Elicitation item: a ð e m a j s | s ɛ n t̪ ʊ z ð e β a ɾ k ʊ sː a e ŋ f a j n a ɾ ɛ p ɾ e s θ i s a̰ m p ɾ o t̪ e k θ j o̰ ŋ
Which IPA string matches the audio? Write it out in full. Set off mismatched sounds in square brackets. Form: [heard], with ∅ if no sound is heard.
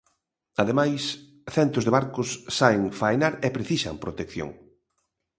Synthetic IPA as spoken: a ð e m a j s | [θ] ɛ n t̪ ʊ z ð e β a ɾ k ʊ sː a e ŋ f a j n a ɾ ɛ p ɾ e [∅] θ i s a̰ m p ɾ o t̪ e k θ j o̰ ŋ